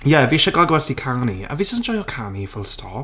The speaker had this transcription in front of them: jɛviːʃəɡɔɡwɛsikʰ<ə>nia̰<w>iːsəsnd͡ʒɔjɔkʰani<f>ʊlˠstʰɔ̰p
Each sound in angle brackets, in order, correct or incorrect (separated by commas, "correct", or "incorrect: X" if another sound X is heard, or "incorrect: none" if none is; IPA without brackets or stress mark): incorrect: a, incorrect: v, correct